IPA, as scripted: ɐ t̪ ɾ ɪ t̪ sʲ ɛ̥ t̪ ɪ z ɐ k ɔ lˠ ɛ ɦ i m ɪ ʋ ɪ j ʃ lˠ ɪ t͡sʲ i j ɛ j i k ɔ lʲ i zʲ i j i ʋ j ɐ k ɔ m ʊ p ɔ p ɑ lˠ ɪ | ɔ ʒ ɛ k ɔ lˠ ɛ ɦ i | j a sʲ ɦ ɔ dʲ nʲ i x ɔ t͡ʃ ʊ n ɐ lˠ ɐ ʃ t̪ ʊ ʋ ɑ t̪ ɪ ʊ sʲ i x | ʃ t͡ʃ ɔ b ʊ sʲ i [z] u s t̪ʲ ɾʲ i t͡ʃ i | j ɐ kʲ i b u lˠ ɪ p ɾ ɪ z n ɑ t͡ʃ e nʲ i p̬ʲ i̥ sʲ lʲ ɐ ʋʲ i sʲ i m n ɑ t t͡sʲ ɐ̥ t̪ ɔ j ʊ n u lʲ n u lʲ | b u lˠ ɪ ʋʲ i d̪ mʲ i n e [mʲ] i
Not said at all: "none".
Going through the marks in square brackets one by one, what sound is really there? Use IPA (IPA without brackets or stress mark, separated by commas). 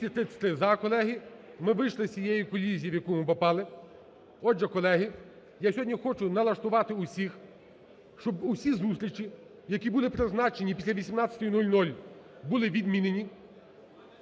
z, nʲ